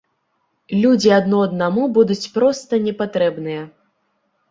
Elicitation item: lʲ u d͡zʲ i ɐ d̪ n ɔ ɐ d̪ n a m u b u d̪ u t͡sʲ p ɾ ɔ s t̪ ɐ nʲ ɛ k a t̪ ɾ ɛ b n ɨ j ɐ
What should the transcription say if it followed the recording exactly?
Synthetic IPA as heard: lʲ u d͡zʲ i ɐ d̪ n ɔ ɐ d̪ n a m u b u d̪ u t͡sʲ p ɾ ɔ s t̪ ɐ nʲ ɛ p a t̪ ɾ ɛ b n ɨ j ɐ